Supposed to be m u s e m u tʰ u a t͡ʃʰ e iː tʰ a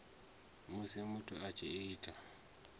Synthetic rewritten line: m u s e m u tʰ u a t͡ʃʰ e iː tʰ a

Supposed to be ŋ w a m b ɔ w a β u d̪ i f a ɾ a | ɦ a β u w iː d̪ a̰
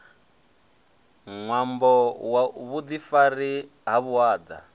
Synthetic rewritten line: ŋ w a m b ɔ w a β u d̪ i f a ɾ i | ɦ a β u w aː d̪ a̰

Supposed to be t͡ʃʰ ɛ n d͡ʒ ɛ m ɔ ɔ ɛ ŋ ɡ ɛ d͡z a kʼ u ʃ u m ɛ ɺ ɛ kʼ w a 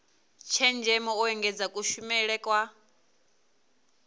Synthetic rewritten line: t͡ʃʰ ɛ n d͡ʒ ɛ m ɔ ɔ ɛ ŋ ɡ ɛ d͡z a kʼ u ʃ u m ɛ ɺ ɛ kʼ w a

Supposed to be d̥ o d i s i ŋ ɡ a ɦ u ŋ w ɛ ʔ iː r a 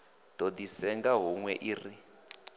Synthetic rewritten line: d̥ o d i s ɛ ŋ ɡ a ɦ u ŋ w ɛ ʔ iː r i

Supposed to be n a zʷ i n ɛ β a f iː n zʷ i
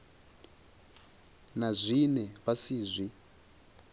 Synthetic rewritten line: n a zʷ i n ɛ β a s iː zʷ i

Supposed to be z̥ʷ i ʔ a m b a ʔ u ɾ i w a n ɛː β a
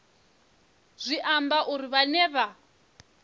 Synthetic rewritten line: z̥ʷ i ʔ a m b a ʔ u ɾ i β a n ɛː β a

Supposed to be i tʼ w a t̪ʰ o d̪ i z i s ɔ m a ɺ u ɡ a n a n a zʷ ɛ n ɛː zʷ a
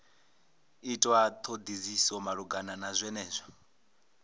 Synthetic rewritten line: i tʼ w a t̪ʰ o d̪ i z i s ɔ m a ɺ u ɡ a n a n a zʷ ɛ n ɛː zʷ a

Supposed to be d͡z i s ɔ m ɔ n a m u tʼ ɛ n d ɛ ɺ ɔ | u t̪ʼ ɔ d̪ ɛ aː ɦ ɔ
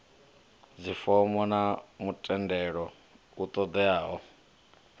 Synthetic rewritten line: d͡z i f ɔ m ɔ n a m u tʼ ɛ n d ɛ ɺ ɔ | u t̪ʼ ɔ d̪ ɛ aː ɦ ɔ

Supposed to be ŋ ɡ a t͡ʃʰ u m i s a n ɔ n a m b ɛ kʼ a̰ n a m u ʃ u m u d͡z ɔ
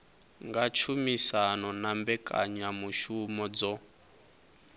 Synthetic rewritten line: ŋ ɡ a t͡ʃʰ u m i s a n ɔ n a m b ɛ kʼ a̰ ɲ a m u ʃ u m ɔ d͡z ɔ

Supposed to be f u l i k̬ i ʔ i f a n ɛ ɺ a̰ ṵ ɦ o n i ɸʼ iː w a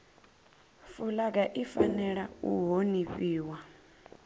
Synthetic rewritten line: f u l a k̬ a ʔ i f a n ɛ ɺ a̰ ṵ ɦ o n i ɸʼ iː w a

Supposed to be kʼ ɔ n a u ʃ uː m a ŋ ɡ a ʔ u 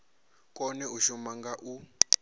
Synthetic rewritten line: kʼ ɔ n ɛ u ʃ u m a ŋ ɡ a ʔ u

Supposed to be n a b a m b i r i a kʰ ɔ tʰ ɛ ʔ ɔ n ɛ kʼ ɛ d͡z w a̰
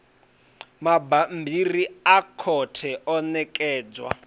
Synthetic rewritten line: m a b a m b i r i a kʰ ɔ tʰ ɛ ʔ ɔ n ɛ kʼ ɛː d͡z w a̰

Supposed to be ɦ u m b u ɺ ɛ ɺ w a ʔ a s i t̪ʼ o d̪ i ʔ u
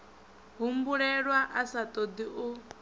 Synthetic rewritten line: ɦ u m b u ɺ ɛ ɺ w a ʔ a s a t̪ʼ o d̪ i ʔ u

